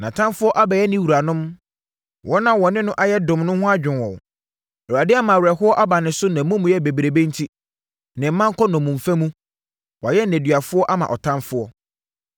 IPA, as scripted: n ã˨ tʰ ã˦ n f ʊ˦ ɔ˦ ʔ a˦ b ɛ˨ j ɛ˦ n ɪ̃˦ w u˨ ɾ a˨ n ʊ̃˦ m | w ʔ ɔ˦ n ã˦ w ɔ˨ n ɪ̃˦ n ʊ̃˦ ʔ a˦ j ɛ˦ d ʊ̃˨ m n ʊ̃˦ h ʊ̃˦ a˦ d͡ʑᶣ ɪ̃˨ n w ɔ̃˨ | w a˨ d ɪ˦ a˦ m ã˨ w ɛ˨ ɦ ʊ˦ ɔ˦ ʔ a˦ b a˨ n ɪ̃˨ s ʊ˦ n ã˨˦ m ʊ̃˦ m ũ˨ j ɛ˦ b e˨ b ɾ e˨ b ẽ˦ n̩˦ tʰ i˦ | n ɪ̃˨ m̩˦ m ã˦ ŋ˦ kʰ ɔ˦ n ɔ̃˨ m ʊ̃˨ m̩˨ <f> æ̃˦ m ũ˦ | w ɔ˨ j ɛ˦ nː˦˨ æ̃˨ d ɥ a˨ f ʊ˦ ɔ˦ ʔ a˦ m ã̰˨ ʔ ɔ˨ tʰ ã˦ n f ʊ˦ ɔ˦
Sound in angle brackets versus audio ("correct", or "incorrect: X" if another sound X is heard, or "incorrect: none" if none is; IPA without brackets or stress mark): correct